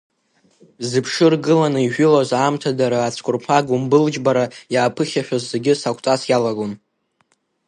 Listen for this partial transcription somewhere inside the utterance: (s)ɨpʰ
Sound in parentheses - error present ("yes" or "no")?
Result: yes